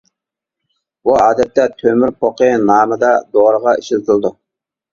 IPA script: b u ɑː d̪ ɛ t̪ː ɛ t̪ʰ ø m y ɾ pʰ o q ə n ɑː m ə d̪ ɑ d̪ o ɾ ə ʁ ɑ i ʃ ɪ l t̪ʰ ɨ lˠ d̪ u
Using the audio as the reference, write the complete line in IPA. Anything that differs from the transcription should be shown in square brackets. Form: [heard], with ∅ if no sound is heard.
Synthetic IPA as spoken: b u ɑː d̪ ɛ t̪ː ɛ t̪ʰ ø m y ɾ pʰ o q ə n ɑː m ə d̪ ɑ d̪ o ɾ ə ʁ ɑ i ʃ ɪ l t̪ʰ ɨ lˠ d̪ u